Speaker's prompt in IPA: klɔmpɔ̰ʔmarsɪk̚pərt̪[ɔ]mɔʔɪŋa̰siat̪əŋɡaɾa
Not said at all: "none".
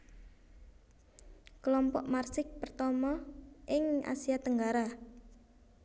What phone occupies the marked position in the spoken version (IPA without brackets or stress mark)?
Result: ɔ